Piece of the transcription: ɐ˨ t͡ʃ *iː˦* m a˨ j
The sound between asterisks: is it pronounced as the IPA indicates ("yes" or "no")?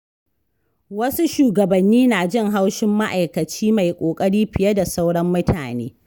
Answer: yes